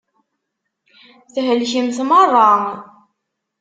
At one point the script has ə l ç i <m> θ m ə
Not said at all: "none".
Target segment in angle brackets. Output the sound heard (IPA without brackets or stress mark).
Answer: m